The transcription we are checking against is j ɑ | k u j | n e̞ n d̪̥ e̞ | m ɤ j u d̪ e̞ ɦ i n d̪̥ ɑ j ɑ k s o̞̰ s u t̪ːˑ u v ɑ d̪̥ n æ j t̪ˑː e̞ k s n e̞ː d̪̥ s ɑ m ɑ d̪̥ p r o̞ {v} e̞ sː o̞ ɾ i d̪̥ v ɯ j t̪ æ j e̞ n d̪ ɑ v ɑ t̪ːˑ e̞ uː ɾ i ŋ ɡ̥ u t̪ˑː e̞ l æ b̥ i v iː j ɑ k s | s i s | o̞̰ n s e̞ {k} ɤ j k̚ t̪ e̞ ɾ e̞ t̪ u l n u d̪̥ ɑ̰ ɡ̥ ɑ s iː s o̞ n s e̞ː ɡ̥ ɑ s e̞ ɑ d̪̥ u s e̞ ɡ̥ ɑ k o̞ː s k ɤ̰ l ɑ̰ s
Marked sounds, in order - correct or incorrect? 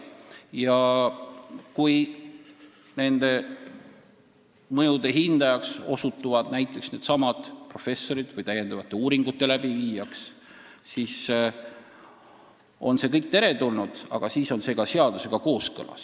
incorrect: f, correct

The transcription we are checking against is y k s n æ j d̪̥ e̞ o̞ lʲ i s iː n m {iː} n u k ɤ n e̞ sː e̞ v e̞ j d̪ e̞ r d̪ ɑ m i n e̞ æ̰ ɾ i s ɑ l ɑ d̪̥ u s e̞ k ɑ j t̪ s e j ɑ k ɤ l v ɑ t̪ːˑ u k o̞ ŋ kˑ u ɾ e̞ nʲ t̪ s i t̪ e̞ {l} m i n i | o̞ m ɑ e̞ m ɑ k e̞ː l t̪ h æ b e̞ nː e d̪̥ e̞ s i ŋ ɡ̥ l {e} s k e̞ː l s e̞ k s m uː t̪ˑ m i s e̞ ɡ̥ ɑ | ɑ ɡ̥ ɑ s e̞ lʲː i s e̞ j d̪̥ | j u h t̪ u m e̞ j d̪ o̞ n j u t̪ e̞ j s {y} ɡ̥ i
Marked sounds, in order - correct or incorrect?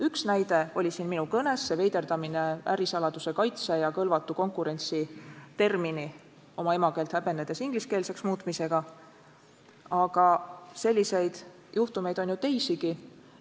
incorrect: i, incorrect: r, incorrect: i, incorrect: i

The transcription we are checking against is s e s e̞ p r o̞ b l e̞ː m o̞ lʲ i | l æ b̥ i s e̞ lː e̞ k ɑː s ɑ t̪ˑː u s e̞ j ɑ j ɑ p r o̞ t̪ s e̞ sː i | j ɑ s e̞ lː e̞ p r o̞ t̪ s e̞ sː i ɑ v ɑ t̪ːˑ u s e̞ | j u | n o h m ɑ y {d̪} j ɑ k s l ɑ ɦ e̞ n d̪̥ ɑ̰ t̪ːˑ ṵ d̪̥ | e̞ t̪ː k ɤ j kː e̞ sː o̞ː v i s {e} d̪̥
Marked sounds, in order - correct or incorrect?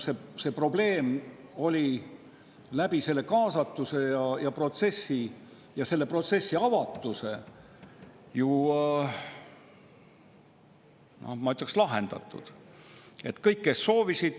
incorrect: t̪, incorrect: i

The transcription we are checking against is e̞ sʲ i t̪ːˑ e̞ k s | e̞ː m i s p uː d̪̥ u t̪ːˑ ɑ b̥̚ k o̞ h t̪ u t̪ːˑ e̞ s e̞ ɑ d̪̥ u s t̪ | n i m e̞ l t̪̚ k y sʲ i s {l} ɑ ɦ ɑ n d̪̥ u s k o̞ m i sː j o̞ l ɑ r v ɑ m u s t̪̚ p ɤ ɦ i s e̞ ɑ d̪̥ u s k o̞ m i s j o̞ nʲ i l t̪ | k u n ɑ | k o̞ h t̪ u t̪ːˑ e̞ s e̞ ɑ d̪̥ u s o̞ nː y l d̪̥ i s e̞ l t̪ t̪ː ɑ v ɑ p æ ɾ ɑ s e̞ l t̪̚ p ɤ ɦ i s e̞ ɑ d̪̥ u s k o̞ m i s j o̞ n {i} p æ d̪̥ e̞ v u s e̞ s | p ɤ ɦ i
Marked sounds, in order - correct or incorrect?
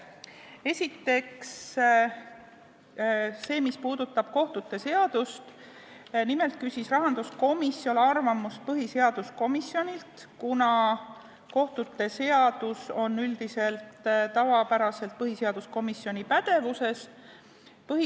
incorrect: r, correct

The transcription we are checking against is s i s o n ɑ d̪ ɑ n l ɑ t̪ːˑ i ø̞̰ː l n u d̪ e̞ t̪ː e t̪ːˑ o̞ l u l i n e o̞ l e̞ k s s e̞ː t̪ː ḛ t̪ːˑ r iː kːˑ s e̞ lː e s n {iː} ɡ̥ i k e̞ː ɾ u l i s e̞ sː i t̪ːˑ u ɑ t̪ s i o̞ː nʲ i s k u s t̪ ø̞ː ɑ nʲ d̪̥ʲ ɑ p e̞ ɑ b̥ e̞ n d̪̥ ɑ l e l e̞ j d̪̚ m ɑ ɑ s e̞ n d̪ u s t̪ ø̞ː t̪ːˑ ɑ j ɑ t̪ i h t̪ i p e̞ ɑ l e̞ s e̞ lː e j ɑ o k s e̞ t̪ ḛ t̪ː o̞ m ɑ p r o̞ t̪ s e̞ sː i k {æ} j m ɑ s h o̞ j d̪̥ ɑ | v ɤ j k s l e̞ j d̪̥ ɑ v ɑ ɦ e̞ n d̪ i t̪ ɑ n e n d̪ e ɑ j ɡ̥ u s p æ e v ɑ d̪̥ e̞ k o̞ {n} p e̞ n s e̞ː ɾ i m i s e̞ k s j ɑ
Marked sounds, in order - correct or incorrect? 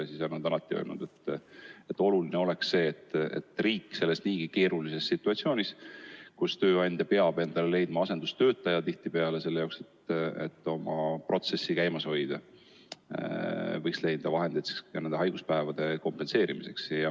correct, correct, incorrect: m

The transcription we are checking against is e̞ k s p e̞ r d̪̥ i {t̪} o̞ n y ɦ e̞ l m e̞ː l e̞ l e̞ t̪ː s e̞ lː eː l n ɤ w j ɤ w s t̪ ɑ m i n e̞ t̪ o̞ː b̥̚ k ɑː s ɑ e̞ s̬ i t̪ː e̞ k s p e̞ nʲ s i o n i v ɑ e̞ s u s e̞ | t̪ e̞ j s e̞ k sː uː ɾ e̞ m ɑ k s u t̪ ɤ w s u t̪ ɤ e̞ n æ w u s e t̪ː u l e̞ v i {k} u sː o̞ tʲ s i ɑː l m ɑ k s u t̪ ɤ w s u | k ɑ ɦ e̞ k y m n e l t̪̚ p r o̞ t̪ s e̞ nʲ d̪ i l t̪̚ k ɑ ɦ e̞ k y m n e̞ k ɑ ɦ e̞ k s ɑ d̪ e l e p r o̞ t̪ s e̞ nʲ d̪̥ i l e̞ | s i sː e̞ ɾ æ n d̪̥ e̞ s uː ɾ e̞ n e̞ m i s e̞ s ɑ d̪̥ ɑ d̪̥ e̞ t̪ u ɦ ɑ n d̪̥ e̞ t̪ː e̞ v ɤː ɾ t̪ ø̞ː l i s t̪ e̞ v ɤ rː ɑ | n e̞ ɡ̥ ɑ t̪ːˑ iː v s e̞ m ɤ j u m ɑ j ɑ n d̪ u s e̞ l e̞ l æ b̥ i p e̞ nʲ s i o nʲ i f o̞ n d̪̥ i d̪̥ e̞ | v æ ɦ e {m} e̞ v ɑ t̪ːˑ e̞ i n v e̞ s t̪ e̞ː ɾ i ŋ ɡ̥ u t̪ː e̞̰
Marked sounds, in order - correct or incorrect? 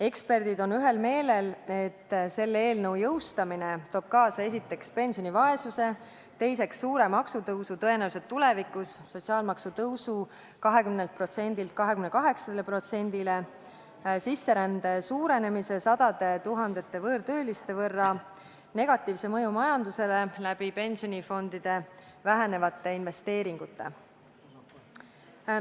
incorrect: d̪, correct, incorrect: n

